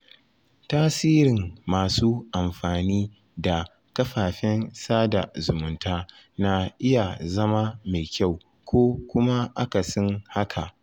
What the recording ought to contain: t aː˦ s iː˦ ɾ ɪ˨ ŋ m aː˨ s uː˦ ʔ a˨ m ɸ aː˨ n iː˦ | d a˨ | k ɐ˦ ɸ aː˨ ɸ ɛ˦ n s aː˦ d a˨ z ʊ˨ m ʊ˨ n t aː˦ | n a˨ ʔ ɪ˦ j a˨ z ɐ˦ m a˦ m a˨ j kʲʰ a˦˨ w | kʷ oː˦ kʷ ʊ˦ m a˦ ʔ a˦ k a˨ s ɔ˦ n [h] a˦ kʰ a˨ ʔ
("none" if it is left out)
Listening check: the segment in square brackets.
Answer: h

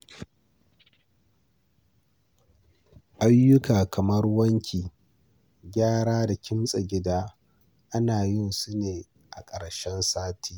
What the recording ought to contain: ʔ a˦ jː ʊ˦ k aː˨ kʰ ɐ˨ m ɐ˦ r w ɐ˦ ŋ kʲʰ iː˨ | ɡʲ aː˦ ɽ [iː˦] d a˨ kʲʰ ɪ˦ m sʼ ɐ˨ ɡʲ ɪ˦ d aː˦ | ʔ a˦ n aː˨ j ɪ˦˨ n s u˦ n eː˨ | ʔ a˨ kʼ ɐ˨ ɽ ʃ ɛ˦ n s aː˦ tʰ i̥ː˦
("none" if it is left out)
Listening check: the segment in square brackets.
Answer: aː˦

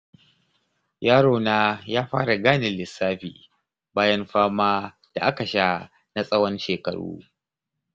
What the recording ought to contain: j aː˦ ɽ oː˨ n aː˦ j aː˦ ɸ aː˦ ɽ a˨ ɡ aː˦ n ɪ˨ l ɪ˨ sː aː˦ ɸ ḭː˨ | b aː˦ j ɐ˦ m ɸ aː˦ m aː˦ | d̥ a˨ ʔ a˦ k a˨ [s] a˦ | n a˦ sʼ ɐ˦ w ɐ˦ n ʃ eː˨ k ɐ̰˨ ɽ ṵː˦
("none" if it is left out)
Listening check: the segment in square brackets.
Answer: ʃ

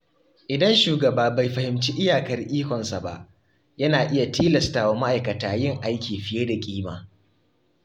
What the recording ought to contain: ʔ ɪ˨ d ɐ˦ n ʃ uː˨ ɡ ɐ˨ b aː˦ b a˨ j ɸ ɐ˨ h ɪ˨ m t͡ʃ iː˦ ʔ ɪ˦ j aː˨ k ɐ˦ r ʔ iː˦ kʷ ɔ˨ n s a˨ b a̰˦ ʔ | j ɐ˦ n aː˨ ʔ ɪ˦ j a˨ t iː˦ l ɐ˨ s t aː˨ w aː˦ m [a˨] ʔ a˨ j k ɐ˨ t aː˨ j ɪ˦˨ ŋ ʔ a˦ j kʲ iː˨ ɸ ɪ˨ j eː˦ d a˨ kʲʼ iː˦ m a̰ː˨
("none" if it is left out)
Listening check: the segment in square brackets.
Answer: a˦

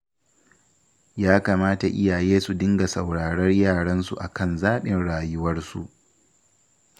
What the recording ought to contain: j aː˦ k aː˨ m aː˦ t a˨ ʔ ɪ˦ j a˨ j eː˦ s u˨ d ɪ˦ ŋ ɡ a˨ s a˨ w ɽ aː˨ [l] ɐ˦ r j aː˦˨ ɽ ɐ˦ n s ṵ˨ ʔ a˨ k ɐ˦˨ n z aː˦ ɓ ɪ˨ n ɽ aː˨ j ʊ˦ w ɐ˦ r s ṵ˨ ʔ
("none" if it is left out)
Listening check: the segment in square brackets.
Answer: ɽ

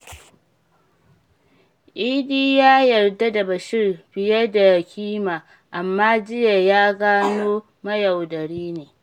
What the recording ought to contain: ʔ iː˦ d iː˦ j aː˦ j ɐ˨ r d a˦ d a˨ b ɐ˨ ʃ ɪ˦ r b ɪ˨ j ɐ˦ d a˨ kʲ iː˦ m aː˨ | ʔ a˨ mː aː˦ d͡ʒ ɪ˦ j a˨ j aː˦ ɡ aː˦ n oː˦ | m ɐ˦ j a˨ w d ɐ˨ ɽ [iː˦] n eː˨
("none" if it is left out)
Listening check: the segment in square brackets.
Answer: iː˦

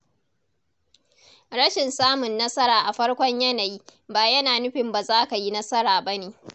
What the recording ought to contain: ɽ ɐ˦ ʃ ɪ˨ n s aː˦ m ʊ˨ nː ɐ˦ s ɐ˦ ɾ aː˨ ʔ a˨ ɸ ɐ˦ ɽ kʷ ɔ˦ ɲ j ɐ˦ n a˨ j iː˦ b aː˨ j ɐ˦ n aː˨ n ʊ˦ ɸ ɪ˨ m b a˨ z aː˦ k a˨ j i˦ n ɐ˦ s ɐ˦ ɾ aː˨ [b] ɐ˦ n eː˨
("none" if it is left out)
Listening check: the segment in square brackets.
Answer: b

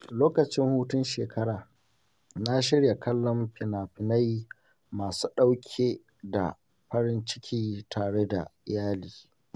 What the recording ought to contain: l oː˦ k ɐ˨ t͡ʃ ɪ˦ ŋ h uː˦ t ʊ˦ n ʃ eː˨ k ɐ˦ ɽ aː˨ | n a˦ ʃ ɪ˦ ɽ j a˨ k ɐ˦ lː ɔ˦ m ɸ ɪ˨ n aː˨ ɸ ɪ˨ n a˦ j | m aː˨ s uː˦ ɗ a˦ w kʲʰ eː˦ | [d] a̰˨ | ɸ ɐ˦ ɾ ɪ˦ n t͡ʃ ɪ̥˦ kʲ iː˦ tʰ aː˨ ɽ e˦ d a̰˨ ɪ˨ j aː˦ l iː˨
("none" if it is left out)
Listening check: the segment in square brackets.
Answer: d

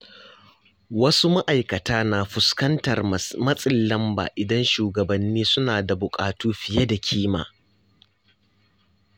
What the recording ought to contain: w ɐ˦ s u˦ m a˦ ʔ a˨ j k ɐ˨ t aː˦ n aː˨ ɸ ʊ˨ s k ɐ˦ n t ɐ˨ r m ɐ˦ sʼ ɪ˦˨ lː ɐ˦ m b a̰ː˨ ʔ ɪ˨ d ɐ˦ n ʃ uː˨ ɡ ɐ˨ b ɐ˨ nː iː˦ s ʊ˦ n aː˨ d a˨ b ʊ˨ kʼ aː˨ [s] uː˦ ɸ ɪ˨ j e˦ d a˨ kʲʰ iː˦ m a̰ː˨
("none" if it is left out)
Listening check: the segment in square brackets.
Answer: t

